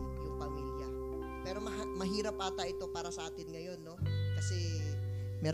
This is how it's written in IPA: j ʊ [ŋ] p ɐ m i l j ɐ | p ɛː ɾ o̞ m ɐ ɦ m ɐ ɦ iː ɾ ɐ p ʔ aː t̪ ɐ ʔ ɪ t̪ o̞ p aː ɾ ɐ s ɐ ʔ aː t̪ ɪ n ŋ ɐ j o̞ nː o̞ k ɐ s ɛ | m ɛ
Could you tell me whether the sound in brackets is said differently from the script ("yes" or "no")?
no